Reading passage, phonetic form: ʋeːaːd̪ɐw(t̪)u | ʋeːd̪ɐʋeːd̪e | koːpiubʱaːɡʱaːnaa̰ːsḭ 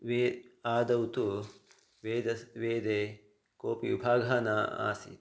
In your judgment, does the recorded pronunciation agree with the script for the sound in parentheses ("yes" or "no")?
yes